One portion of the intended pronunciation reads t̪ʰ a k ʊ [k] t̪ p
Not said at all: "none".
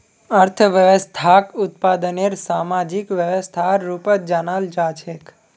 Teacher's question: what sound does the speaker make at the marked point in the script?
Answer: none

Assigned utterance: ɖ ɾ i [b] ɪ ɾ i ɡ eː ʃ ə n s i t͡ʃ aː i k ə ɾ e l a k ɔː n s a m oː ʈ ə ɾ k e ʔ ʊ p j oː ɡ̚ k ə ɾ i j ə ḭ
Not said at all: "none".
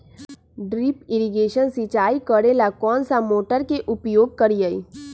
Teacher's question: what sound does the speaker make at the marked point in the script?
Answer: p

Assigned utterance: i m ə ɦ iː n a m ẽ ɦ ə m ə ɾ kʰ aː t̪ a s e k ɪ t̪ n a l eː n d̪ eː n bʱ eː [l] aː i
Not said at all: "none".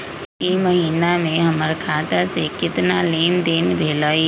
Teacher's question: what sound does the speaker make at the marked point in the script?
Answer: l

